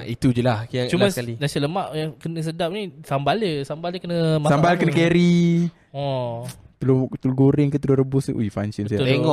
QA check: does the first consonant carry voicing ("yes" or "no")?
no